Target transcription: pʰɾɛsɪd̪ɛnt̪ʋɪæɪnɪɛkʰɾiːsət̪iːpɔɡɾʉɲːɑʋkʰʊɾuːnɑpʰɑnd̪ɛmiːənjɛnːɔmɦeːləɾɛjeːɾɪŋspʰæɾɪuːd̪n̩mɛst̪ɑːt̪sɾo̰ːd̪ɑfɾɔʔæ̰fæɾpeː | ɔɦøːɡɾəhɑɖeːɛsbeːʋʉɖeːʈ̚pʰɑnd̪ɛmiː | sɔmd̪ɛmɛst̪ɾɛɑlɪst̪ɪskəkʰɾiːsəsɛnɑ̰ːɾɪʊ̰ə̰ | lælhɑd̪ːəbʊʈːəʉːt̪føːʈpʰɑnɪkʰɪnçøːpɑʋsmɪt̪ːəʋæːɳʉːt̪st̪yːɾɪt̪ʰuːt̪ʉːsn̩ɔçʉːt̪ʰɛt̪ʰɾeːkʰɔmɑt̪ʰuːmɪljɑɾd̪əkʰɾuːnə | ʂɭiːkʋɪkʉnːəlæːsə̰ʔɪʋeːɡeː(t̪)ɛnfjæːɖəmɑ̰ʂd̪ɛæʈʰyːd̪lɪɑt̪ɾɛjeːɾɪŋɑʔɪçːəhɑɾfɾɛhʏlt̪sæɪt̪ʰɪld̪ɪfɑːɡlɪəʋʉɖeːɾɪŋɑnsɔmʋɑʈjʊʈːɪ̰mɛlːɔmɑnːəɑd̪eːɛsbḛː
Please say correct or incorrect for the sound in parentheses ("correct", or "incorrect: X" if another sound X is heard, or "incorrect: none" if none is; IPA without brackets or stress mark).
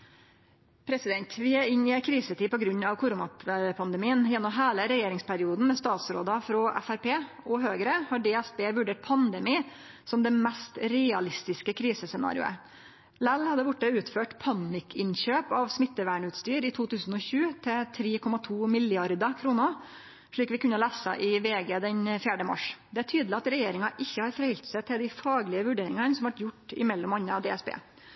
incorrect: d̪